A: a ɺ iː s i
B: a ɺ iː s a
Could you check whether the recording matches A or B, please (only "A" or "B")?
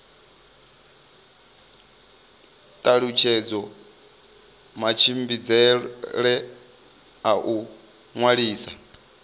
B